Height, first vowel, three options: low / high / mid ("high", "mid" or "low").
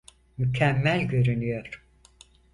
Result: high